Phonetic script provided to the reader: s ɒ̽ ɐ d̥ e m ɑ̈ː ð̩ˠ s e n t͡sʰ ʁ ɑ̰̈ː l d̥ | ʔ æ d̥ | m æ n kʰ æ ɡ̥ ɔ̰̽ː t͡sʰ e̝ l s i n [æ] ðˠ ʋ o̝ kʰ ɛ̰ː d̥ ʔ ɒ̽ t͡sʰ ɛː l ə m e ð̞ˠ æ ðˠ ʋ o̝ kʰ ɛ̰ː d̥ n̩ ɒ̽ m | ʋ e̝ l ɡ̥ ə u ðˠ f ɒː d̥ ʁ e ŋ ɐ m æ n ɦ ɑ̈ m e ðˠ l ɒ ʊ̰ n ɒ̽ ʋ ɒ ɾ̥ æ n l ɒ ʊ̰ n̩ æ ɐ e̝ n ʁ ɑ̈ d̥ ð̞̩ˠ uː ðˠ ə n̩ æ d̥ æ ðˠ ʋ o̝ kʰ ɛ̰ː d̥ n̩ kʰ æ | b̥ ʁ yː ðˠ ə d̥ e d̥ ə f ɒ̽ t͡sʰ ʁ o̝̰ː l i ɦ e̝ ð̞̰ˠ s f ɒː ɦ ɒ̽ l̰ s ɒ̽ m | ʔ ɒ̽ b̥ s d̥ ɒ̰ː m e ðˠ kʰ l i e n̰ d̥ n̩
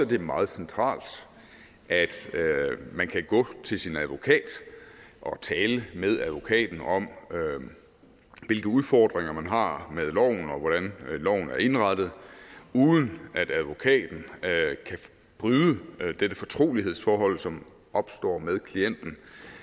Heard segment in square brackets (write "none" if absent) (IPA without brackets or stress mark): æ